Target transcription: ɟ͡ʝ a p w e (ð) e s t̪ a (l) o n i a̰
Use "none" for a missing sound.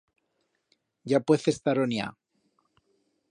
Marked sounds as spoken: θ, ɾ

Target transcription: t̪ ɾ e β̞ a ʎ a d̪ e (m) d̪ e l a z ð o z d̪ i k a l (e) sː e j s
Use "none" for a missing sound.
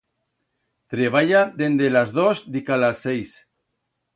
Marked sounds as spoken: n, a

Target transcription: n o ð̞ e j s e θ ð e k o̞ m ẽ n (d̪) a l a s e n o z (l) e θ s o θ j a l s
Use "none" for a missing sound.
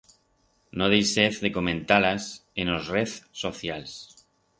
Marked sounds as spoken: t̪, r

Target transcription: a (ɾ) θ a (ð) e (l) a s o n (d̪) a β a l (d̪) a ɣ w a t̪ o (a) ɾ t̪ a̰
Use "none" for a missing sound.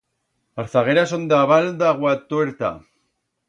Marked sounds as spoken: ɾ, ɣ, ɾ, d̪, d̪, e

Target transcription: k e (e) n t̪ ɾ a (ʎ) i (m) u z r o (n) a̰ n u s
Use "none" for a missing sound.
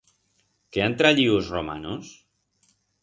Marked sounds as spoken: a, ʎ, none, m

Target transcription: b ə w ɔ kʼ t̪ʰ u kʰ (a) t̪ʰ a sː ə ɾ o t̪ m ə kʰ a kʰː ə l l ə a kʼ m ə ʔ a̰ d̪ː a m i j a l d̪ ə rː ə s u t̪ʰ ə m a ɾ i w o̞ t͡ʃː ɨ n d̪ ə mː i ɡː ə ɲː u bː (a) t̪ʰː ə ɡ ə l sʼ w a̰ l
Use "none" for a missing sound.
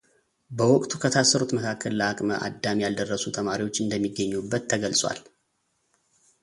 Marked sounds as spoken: ə, ə

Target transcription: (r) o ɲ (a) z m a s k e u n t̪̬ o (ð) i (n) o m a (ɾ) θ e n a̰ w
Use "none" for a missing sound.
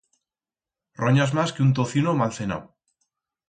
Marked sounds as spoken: r, a, θ, n, l

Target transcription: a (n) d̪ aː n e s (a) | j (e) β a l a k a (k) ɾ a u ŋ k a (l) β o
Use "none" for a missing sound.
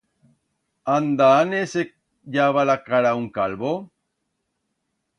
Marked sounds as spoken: n, e, a, none, l

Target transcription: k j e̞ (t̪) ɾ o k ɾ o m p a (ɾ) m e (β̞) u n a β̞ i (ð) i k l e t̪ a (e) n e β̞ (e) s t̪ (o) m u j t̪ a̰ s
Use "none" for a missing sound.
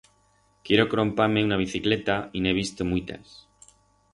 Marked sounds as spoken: none, ɾ, none, θ, i, i, o

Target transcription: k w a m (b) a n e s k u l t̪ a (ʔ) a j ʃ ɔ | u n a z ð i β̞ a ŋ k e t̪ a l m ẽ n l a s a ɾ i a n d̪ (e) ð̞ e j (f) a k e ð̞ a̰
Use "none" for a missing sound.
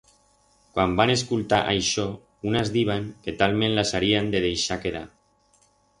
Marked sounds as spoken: b, ʔ, e, ʃ

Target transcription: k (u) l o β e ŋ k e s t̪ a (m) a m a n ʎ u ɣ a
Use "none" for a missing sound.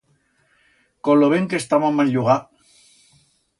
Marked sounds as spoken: o, m

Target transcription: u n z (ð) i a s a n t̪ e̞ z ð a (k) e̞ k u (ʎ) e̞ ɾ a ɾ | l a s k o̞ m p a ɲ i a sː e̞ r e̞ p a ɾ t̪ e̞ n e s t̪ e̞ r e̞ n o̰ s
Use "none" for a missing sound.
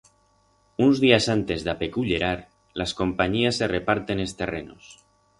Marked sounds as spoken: ð, p, ʎ

